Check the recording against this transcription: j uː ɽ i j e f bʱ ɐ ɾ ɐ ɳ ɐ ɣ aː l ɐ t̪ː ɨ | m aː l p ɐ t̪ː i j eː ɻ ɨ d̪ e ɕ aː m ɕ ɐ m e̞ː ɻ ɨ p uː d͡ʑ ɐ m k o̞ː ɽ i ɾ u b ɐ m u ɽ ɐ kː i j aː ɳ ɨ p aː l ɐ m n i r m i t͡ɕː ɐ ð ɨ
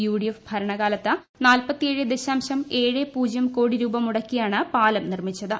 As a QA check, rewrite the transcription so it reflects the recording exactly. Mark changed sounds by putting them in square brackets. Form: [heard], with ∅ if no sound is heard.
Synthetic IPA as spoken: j uː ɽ i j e f bʱ ɐ ɾ ɐ ɳ ɐ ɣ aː l ɐ t̪ː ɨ | [n] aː l p ɐ t̪ː i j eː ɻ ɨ d̪ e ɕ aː m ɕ ɐ m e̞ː ɻ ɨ p uː d͡ʑ ɐ m k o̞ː ɽ i ɾ [uː] b ɐ m u ɽ ɐ kː i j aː ɳ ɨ p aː l ɐ m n i r m i t͡ɕː ɐ ð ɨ